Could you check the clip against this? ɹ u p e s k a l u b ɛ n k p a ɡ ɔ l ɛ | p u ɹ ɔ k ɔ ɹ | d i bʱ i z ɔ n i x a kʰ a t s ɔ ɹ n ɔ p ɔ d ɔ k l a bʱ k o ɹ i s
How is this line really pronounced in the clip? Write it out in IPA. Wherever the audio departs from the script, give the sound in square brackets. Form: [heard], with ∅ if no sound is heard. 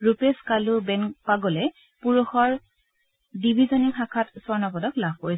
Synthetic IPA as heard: ɹ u p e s k a l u b ɛ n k p a ɡ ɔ l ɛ | p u ɹ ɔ [x] ɔ ɹ | d i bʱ i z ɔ n i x a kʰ a t s ɔ ɹ n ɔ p ɔ d ɔ k l a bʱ k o ɹ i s